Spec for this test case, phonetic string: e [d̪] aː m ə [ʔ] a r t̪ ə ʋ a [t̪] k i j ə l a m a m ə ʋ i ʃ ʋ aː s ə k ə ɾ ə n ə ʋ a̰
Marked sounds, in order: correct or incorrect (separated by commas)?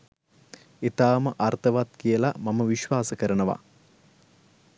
incorrect, correct, correct